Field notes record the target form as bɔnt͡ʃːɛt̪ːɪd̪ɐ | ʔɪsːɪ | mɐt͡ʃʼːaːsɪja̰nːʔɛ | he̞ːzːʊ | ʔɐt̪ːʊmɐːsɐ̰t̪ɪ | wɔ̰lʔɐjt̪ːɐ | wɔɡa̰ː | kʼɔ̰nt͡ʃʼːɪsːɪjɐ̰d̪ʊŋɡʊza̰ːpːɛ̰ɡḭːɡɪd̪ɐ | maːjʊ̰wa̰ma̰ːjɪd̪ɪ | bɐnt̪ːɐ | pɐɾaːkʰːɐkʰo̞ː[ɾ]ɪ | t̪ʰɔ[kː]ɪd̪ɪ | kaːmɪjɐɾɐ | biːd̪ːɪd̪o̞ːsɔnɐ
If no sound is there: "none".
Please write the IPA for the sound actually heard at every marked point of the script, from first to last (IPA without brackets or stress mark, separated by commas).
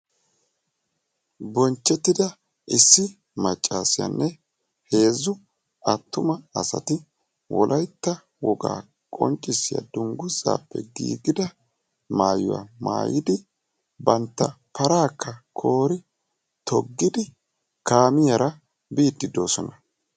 ɾ, ɡː